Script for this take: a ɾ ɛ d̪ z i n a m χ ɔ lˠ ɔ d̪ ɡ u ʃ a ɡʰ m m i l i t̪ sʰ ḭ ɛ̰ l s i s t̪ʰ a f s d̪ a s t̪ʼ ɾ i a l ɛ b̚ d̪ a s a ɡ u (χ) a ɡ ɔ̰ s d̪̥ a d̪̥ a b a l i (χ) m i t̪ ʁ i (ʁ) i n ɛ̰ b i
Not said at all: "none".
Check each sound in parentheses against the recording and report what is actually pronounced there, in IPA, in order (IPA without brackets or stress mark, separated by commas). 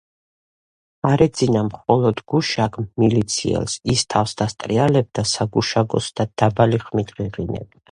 ʃ, χ, ʁ